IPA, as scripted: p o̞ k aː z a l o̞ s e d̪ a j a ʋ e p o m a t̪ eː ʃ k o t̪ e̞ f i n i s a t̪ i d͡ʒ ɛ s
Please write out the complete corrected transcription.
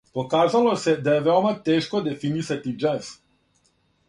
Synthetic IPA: p o̞ k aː z a l o̞ s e d̪ a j e ʋ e o m a t̪ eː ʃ k o d̪ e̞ f i n i s a t̪ i d͡ʒ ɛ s